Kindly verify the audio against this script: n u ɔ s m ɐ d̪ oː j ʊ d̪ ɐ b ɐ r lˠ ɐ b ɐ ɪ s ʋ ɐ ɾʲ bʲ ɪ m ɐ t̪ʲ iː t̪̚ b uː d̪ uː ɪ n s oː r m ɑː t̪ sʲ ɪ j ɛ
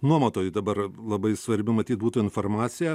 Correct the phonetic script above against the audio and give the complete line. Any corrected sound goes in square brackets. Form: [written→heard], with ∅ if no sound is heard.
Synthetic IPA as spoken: n u ɔ [s→∅] m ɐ [d̪→t̪] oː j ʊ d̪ ɐ b ɐ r lˠ ɐ b ɐ ɪ s ʋ ɐ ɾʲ bʲ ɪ m ɐ t̪ʲ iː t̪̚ b uː [d̪→t̪] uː ɪ n [s→f] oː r m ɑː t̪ sʲ ɪ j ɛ